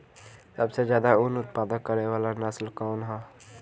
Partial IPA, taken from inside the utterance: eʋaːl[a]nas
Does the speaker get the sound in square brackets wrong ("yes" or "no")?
no